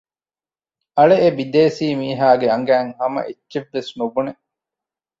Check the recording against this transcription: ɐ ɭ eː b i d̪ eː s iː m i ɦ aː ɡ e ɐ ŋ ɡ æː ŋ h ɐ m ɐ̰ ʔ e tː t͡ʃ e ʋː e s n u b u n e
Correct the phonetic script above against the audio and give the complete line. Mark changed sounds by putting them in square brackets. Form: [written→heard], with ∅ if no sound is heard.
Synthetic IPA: ɐ ɭ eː b i d̪ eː s iː m [i→iː] ɦ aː ɡ e ɐ ŋ ɡ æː ŋ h ɐ m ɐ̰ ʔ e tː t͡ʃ e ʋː e s n u b u n e